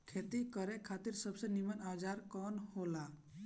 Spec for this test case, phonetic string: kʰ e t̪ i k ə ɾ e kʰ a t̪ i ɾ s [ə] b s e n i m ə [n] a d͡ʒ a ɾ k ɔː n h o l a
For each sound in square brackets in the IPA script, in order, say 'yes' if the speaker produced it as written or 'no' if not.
yes, yes

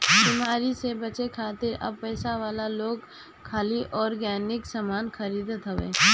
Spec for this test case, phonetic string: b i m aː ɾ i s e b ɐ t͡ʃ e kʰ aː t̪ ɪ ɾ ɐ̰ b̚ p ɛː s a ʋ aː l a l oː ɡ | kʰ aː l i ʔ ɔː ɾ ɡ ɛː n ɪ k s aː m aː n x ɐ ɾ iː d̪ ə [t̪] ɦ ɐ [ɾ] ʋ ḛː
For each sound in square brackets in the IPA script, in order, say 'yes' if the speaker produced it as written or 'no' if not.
yes, no

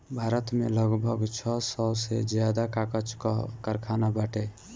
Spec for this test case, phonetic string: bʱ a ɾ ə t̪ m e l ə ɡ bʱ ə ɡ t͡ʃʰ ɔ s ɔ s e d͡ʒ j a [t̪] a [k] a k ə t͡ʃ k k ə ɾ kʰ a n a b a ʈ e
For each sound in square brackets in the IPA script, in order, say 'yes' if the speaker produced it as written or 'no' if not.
no, yes

